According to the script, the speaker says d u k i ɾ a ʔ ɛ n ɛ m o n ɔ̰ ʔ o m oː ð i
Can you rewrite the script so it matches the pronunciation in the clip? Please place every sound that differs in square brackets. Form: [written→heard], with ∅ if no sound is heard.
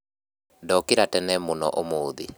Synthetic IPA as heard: d [u→ɔ] k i ɾ a [ʔ→t] ɛ n ɛ m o n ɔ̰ ʔ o m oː ð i